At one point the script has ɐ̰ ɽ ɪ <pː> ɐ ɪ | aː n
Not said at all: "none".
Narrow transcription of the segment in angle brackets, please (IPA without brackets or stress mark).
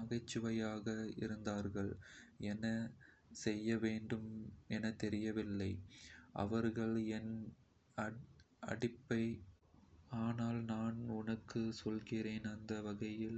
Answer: pː